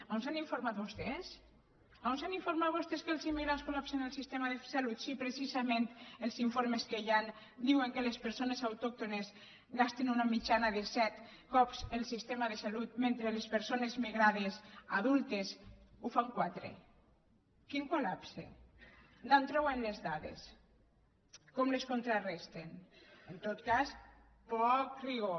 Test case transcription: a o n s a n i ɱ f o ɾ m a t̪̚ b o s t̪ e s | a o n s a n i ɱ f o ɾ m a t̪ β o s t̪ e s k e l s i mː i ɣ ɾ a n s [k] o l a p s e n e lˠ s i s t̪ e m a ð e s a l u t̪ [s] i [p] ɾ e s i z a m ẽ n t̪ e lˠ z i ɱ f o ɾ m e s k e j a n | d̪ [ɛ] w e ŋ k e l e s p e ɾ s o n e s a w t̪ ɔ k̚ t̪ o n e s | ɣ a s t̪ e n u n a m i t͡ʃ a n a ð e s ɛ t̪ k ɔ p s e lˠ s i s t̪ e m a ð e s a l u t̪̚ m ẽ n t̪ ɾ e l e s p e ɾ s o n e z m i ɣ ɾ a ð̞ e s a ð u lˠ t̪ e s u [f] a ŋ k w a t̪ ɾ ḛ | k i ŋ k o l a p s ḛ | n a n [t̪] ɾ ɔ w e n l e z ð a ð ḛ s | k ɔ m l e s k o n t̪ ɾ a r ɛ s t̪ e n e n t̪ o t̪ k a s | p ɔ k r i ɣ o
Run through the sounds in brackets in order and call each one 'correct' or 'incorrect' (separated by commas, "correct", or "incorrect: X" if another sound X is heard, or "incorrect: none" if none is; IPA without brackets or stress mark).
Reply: correct, correct, correct, incorrect: i, correct, correct